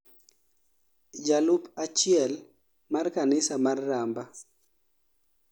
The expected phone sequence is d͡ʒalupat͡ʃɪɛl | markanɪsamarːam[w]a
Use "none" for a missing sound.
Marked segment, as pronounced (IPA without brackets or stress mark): b